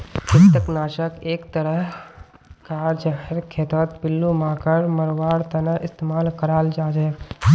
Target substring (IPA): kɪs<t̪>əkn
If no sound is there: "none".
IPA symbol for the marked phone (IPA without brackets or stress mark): t̪